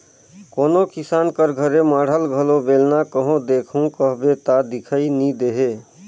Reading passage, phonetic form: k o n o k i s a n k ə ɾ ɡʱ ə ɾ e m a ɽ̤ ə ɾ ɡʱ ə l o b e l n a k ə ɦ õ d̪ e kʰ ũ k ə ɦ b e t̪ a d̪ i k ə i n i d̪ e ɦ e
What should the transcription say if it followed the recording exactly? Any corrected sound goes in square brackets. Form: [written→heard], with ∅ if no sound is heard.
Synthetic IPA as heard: k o n o k i s a n k ə ɾ ɡʱ ə ɾ e m a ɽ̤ ə [ɾ→l] ɡʱ ə l o b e l n a k ə ɦ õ d̪ e kʰ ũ k ə ɦ b e t̪ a d̪ i [k→kʰ] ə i n i d̪ e ɦ e